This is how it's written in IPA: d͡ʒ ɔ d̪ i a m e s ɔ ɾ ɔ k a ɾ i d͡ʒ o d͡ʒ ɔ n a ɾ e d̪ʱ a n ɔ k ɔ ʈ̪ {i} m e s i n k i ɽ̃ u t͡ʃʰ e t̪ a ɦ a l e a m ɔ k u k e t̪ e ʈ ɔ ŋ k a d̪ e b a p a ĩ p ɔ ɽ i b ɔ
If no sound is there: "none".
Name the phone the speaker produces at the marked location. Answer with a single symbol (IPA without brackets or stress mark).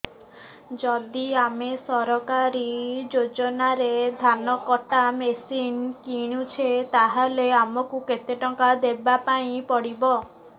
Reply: a